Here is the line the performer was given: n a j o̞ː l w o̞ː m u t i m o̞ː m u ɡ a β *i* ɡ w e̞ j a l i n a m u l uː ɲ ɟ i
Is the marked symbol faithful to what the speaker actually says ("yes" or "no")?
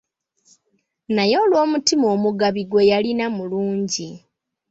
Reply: yes